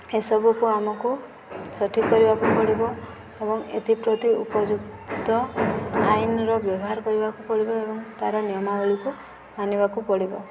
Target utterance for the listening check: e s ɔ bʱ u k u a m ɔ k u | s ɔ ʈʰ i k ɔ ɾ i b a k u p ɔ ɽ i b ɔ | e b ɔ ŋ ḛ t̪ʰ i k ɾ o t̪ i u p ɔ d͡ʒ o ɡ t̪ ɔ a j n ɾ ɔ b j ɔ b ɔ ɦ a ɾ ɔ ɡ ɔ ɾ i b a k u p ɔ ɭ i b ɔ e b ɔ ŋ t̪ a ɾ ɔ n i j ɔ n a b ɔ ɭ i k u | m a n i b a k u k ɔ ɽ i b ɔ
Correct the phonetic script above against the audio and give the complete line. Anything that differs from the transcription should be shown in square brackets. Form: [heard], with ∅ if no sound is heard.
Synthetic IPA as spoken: e s ɔ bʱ u k u a m ɔ k u | s ɔ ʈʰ i k ɔ ɾ i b a k u p ɔ ɽ i b ɔ | e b ɔ ŋ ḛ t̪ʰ i [p] ɾ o t̪ i u p ɔ d͡ʒ [u] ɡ t̪ ɔ a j n ɾ ɔ b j ɔ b ɔ ɦ a ɾ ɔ [k] ɔ ɾ i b a k u p ɔ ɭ i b ɔ e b ɔ ŋ t̪ a ɾ ɔ n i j ɔ [m] a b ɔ ɭ i k u | m a n i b a k u [p] ɔ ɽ i b ɔ